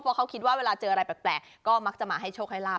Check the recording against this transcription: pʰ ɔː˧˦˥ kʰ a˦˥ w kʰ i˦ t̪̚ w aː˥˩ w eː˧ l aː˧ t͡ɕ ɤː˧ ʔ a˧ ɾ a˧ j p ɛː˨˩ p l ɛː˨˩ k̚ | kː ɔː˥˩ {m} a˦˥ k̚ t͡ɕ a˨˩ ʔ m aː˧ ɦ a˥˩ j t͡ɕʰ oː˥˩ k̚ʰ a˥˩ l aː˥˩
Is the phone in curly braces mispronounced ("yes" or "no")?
no